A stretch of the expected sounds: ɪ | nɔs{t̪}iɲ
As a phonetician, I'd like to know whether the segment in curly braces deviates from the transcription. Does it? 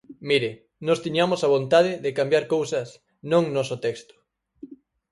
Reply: no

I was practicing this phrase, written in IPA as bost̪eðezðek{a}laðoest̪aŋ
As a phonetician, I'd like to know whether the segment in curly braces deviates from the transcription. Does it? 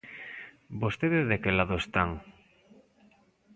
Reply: yes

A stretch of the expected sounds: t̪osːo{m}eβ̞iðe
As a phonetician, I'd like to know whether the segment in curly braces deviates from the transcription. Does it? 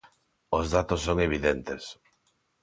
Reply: yes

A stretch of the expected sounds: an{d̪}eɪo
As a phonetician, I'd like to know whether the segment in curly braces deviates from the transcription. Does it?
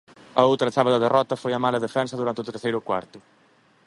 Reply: yes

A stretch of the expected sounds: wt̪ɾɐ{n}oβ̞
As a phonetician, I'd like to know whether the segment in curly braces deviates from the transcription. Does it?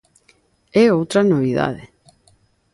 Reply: no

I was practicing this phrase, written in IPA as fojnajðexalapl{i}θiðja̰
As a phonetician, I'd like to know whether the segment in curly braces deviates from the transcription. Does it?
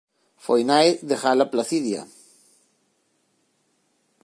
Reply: yes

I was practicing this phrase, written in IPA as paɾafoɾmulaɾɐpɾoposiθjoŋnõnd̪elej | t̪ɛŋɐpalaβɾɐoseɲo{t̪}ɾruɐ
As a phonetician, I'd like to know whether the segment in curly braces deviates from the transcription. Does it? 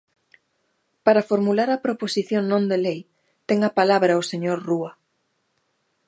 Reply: yes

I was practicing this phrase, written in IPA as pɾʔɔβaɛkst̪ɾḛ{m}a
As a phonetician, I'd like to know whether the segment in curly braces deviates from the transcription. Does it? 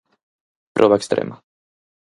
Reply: no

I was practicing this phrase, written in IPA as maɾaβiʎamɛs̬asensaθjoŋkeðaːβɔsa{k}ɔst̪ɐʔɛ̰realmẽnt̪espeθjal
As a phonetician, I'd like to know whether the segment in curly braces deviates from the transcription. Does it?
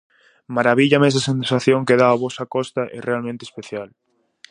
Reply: no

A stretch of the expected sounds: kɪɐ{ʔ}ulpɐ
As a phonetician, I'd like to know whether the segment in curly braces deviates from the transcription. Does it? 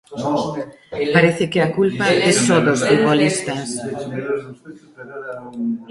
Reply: yes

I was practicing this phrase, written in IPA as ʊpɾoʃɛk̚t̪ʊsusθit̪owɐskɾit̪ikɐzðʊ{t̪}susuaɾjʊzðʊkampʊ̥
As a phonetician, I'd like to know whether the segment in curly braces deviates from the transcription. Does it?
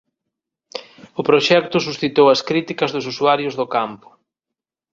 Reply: yes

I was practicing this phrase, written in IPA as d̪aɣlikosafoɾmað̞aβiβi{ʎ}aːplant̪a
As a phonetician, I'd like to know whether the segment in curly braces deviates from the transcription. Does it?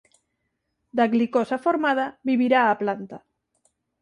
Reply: yes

